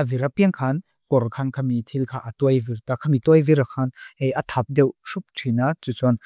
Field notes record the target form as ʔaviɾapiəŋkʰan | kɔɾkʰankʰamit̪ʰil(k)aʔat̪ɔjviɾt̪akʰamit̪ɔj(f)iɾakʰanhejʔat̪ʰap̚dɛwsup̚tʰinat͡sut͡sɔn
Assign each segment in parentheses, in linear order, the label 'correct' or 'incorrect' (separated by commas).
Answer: incorrect, incorrect